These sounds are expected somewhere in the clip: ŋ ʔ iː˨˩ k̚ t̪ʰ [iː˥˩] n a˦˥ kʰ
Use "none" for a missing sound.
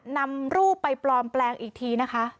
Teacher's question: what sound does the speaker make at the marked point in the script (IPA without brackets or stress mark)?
iː˧